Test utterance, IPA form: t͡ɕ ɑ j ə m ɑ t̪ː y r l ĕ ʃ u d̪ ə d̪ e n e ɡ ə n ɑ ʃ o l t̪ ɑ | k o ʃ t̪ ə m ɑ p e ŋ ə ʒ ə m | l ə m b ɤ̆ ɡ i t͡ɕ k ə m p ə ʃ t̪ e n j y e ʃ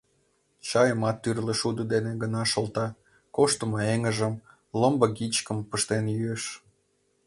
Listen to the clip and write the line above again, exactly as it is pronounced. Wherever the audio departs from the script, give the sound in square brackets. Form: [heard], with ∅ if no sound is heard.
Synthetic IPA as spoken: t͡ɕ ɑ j ə m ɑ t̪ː y r l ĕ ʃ u d̪ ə d̪ e n e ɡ ə n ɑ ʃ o l t̪ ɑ | k o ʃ t̪ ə m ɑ [∅] e ŋ ə ʒ ə m | l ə m b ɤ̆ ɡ i t͡ɕ k ə m p ə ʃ t̪ e n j y e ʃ

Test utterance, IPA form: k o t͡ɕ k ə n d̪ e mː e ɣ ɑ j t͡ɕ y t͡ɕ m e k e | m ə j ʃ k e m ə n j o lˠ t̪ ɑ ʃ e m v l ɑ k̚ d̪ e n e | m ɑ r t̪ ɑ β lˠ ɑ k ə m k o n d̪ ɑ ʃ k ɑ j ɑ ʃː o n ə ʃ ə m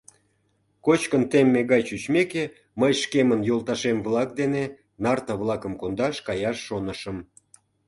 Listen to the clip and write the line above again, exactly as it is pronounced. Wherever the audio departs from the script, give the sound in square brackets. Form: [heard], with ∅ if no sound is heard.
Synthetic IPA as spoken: k o t͡ɕ k ə n [t̪] e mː e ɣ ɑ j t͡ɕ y t͡ɕ m e k e | m ə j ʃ k e m ə n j o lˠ t̪ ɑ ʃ e m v l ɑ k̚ d̪ e n e | [n] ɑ r t̪ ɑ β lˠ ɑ k ə m k o n d̪ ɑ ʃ k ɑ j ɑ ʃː o n ə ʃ ə m

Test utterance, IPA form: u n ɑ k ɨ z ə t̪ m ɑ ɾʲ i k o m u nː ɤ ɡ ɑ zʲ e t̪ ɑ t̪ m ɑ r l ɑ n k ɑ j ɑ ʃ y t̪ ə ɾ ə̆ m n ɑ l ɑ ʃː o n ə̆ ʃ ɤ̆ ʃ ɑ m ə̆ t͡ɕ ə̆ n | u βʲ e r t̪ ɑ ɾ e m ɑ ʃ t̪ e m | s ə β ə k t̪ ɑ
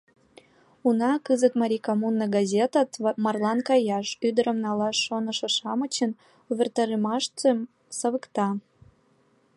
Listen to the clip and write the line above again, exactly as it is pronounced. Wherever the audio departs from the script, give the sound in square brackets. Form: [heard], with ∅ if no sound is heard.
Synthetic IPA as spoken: u n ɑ k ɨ z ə t̪ m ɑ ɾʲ i k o m u nː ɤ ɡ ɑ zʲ e t̪ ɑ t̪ m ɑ r l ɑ n k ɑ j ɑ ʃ y [d̪] ə ɾ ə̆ m n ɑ l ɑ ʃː o n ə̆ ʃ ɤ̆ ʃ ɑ m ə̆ t͡ɕ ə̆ n | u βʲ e r t̪ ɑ ɾ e m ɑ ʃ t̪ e m | s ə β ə k t̪ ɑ

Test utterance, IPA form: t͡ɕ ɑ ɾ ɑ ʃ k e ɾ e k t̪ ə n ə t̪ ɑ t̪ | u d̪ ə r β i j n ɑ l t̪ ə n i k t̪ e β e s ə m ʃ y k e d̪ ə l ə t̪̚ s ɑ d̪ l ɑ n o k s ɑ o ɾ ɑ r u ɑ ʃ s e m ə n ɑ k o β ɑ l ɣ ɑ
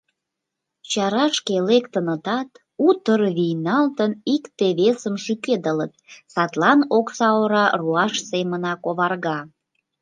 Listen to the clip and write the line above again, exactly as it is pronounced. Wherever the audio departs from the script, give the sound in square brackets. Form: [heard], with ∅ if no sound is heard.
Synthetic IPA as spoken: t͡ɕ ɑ ɾ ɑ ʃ k e [l] e k t̪ ə n ə t̪ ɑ t̪ | u [t̪] ə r β i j n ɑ l t̪ ə n i k t̪ e β e s ə m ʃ y k e d̪ ə l ə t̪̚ s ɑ [t̪] l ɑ n o k s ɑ o ɾ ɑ r u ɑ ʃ s e m ə n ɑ k o β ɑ [r] ɣ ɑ

